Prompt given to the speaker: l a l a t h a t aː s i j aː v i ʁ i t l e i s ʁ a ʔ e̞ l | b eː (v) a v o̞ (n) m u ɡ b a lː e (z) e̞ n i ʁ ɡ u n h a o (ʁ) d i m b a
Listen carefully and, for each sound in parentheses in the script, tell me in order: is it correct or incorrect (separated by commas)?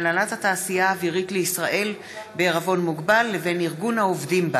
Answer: incorrect, correct, incorrect, incorrect